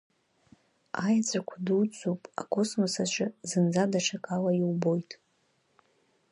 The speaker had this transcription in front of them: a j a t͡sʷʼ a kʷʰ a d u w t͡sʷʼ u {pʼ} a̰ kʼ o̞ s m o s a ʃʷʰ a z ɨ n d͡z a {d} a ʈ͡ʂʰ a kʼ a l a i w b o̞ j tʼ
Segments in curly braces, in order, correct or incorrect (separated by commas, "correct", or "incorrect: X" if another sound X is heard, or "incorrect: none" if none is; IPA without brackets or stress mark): correct, correct